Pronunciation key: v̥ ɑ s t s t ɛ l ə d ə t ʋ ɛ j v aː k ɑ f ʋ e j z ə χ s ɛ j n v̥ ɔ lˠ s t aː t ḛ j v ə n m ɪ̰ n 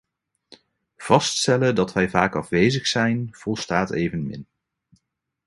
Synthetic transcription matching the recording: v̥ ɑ s t s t ɛ l ə d ɑ t ʋ ɛ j v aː k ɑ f ʋ e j z ə χ s ɛ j n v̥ ɔ lˠ s t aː t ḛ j v ə n m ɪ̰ n